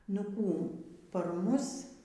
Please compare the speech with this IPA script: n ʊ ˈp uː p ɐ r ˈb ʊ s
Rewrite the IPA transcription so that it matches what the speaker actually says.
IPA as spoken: n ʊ ˈk uː p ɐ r ˈm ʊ s